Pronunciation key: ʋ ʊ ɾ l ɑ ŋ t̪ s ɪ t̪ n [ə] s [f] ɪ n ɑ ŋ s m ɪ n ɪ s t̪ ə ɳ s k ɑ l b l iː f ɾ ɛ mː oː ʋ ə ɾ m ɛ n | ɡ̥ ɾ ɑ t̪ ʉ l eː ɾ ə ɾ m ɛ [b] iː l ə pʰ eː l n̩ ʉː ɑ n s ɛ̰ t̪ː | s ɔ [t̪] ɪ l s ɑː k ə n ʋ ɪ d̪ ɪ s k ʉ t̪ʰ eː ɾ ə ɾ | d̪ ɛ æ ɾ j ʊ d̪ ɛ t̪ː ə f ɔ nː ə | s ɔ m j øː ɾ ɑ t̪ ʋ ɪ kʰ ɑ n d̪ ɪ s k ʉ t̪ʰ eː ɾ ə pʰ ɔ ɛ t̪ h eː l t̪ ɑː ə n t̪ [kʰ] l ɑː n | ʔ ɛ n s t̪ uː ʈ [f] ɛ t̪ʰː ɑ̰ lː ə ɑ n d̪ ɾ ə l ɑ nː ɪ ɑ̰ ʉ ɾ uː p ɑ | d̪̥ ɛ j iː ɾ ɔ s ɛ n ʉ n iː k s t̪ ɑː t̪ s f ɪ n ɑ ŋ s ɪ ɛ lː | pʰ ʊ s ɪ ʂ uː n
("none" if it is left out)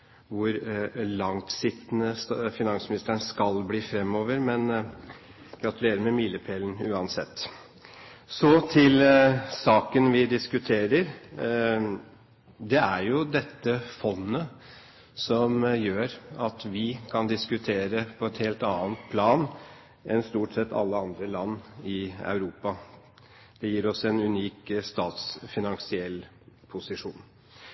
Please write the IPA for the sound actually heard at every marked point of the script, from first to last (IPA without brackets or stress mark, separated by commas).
ə, f, m, t̪ʰ, pʰ, s